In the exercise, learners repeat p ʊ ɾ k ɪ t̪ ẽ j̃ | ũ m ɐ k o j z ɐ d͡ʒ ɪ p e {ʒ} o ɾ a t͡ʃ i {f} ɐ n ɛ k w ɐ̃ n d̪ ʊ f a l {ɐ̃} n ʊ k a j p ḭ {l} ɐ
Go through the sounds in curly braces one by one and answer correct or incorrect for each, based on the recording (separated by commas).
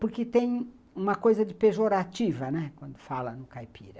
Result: correct, incorrect, incorrect, incorrect